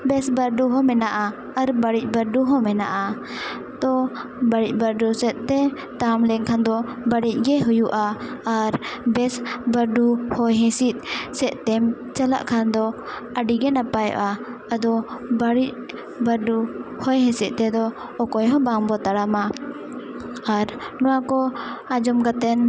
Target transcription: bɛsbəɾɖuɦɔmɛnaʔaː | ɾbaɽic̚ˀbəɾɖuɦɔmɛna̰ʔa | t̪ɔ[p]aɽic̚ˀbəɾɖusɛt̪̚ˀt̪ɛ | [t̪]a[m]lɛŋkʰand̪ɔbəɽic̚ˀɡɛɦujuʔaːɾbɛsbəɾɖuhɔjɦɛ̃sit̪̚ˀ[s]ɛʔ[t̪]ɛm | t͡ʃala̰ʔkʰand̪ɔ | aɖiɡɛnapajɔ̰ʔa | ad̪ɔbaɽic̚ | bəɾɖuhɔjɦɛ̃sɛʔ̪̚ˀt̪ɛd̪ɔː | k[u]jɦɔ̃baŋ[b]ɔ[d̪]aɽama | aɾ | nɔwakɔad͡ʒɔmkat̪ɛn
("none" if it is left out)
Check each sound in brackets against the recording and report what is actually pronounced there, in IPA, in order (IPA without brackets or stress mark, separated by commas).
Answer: b, t̪, m, s, t̪, ɔ, b, t̪